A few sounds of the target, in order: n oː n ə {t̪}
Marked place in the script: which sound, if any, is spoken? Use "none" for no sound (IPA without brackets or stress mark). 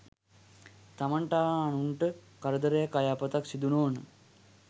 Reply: none